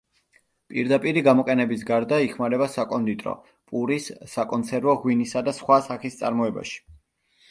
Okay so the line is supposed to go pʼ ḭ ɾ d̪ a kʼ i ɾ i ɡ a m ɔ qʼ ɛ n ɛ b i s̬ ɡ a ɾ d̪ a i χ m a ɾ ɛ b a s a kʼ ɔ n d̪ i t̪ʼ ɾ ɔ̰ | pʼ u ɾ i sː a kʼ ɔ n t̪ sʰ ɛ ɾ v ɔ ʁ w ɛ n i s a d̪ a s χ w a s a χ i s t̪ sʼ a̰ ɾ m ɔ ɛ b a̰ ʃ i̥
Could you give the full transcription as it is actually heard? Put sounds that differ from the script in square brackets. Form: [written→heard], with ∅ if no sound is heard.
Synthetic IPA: pʼ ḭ ɾ d̪ a [kʼ→pʼ] i ɾ i ɡ a m ɔ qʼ ɛ n ɛ b i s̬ ɡ a ɾ d̪ a i χ m a ɾ ɛ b a s a kʼ ɔ n d̪ i t̪ʼ ɾ ɔ̰ | pʼ u ɾ i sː a kʼ ɔ n t̪ sʰ ɛ ɾ v ɔ ʁ w [ɛ→i] n i s a d̪ a s χ w a s a χ i s t̪ sʼ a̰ ɾ m ɔ ɛ b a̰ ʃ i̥